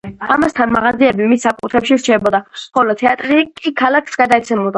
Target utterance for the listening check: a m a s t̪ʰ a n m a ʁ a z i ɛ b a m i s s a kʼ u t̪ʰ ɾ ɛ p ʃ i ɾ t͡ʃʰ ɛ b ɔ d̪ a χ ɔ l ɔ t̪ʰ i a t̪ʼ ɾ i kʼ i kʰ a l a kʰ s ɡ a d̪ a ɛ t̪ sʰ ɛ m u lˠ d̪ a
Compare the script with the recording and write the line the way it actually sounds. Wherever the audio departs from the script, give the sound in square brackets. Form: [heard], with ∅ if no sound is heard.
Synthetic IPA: a m a s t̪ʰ a n m a ʁ a z i ɛ b [i] m i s s a kʼ u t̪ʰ ɾ ɛ p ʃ i ɾ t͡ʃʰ ɛ b ɔ d̪ a χ ɔ l ɔ t̪ʰ [ɛ] a t̪ʼ ɾ i kʼ i kʰ a l a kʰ s ɡ a d̪ a ɛ t̪ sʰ ɛ m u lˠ d̪ a